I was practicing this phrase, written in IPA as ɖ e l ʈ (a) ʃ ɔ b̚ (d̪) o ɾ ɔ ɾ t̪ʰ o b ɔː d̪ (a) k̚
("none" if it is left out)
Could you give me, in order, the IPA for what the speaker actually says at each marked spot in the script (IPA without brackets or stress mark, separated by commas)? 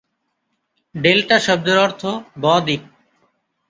a, d̪, i